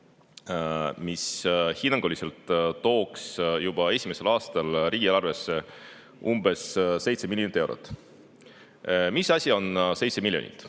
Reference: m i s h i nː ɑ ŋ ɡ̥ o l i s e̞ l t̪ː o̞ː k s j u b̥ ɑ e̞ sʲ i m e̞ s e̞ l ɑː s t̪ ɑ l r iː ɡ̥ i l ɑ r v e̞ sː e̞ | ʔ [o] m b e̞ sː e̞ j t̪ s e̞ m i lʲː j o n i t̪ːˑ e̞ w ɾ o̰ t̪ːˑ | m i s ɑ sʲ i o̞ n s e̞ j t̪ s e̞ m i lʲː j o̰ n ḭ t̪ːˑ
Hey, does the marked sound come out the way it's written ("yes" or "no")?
no